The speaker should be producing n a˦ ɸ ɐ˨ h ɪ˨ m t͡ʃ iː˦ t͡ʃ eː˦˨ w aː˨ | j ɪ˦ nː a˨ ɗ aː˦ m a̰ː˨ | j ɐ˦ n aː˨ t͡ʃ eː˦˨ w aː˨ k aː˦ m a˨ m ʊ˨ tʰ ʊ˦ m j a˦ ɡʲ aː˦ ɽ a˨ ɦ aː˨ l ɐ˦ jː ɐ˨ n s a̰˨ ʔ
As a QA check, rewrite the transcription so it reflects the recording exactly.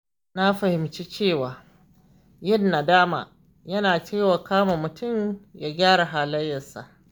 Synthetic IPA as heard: n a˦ ɸ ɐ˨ h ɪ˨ m t͡ʃ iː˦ t͡ʃ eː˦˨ w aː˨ | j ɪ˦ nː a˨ d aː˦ m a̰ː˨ | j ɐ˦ n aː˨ t͡ʃ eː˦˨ w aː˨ k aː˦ m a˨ m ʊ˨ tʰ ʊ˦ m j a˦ ɡʲ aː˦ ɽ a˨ ɦ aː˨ l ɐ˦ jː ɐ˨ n s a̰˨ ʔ